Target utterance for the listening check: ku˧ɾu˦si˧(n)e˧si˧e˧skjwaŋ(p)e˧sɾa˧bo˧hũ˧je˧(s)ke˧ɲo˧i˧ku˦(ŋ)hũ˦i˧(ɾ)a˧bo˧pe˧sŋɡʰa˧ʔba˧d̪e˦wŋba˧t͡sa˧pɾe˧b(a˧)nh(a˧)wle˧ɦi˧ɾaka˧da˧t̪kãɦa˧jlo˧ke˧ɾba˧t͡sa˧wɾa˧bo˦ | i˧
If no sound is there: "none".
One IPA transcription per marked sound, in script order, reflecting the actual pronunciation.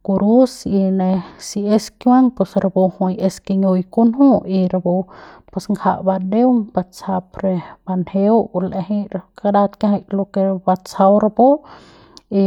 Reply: n, p, s, n, ɾ, a˧, e˧

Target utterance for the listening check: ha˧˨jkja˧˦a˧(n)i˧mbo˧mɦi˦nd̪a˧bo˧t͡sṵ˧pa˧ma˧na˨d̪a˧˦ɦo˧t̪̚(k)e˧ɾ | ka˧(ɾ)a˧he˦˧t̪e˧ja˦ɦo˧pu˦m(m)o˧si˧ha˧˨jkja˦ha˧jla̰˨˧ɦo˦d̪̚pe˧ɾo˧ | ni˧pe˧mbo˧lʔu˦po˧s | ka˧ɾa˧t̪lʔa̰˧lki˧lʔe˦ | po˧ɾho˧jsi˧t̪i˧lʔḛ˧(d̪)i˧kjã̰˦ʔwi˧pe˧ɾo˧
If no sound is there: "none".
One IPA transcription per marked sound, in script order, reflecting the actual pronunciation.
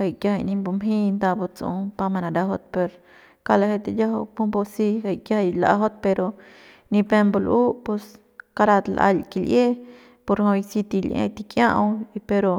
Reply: n, p, l, b, t̪

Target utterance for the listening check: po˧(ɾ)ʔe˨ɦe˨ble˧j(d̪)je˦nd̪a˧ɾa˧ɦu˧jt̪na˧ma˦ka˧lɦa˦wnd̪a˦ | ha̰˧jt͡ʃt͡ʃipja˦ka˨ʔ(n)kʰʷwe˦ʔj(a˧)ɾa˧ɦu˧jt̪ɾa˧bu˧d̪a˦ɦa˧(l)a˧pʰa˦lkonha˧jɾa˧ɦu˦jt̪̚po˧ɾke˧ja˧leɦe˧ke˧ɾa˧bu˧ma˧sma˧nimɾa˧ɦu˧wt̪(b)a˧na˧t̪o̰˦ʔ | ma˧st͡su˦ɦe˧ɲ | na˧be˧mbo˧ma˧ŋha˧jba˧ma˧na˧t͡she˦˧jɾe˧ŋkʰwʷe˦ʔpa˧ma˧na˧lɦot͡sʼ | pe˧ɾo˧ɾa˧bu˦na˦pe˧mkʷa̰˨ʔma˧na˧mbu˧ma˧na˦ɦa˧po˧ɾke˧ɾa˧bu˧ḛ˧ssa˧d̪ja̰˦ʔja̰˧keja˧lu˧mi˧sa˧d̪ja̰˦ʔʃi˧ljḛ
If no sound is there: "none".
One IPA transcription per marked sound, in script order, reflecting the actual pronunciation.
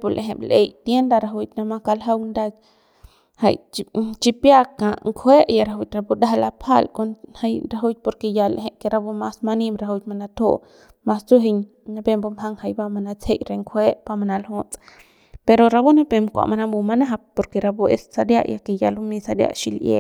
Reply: l, t̪, ŋ, a˧, l, m

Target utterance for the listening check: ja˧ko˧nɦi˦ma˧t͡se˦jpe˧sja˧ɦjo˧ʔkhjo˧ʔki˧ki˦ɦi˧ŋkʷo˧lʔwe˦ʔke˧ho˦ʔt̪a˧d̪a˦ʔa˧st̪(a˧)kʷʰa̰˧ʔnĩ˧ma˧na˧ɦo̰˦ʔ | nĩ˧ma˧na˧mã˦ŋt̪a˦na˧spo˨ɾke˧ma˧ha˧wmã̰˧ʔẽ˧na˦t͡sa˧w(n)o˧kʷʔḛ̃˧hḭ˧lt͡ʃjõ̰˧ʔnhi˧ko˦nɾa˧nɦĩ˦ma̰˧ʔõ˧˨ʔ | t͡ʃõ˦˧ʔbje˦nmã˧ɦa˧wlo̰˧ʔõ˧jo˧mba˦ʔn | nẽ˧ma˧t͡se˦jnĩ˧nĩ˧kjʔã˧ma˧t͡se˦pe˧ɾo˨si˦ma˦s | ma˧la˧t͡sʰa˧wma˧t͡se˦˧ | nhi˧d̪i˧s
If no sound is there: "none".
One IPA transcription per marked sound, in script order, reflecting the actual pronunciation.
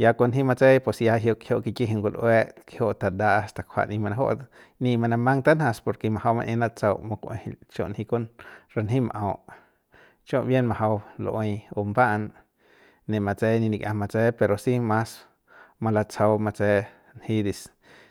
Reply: a˧, m

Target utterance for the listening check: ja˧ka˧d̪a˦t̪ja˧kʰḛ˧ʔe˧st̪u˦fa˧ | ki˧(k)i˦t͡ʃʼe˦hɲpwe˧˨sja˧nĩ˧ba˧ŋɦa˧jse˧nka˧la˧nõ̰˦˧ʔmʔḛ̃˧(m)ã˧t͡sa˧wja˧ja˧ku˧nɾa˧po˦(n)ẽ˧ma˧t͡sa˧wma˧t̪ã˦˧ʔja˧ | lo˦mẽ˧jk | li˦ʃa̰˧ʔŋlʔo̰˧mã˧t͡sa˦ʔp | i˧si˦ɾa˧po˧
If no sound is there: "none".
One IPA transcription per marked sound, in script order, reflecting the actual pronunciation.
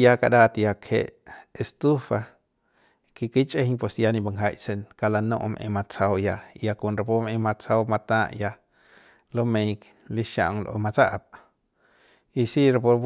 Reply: k, m, m

